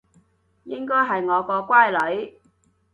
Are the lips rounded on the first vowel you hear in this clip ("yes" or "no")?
no